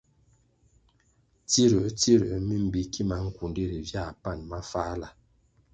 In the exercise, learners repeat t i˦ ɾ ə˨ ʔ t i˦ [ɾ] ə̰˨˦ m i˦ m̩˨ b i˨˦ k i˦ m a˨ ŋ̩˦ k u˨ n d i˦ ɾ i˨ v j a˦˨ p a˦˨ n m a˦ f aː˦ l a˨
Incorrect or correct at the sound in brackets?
correct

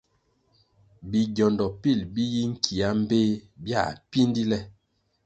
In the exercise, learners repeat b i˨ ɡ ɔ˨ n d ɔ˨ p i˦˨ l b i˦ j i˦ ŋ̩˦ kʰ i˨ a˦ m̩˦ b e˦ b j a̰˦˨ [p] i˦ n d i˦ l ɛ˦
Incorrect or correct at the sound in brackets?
correct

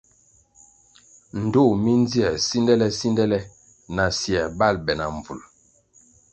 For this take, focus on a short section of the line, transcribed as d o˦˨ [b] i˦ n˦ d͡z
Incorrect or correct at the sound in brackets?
incorrect: m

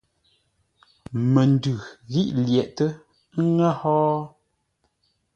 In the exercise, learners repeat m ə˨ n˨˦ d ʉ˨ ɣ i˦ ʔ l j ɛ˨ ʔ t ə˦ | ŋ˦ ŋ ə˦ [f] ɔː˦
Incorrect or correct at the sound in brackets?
incorrect: h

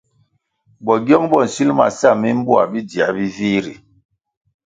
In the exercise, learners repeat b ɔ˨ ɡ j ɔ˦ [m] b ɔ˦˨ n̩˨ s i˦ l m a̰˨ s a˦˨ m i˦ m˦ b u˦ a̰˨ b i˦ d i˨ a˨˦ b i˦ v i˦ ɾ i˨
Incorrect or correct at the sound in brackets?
incorrect: ŋ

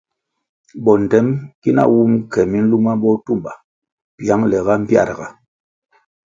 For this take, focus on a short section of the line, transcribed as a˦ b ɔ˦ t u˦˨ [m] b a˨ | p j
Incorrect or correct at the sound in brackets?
correct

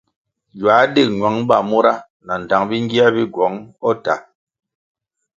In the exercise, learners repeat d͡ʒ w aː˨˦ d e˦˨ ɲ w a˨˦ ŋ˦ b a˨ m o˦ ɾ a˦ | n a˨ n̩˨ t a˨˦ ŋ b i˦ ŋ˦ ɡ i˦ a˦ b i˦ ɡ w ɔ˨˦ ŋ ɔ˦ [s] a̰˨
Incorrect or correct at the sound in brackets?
incorrect: t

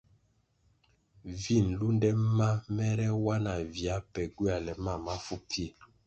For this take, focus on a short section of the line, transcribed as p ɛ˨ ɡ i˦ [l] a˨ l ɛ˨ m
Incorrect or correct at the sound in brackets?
incorrect: none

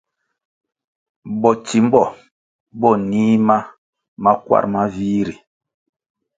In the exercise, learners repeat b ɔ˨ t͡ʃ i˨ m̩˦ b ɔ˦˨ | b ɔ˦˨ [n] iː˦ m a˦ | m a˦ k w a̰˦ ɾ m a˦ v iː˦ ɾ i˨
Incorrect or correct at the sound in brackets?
correct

